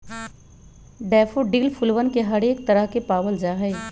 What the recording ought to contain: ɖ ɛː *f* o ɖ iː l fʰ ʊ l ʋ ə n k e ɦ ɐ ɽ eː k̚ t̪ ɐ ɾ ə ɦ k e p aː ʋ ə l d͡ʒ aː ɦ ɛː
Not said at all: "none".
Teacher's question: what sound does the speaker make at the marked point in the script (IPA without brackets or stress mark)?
f